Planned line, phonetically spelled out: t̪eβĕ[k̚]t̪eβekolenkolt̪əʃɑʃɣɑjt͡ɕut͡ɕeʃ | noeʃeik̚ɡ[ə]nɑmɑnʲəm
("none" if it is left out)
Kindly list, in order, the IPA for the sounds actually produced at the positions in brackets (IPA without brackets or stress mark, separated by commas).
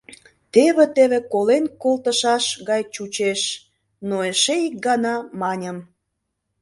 none, ɑ